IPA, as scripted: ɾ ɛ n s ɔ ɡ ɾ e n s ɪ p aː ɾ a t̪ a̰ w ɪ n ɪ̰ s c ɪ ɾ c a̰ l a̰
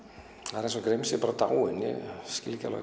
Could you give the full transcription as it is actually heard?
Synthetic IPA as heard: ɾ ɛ n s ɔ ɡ ɾ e m s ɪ p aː ɾ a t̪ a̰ w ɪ n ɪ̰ s c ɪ l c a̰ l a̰